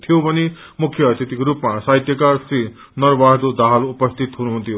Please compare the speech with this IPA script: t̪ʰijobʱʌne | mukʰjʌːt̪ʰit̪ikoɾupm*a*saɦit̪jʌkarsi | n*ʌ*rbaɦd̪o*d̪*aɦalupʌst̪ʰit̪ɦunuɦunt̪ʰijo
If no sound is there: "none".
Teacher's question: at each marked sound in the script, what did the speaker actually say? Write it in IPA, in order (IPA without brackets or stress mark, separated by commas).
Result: a, ʌ, d̪